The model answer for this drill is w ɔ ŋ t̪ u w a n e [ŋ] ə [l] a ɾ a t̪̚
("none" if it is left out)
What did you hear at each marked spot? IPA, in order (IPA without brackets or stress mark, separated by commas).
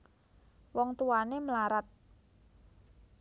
m, l